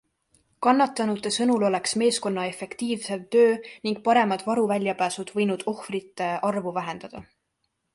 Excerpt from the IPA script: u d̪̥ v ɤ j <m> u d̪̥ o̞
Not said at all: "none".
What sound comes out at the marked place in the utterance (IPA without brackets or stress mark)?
n